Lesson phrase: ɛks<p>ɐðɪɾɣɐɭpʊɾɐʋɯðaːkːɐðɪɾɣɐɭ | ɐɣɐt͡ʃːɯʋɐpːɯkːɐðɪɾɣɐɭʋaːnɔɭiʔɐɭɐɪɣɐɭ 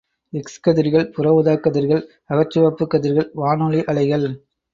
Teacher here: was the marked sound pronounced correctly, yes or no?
no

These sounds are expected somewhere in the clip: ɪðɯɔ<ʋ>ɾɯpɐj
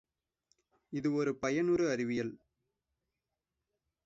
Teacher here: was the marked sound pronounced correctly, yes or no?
no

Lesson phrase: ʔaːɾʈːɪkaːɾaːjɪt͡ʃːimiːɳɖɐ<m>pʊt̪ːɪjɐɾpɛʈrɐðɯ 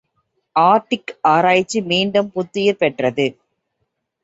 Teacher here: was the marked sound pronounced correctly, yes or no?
yes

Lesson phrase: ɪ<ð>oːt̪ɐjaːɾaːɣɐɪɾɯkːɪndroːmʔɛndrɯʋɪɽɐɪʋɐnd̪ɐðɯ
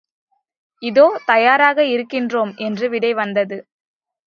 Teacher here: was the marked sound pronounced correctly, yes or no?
yes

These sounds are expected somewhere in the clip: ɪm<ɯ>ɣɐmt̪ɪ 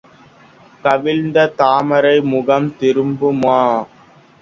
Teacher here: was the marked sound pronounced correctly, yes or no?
no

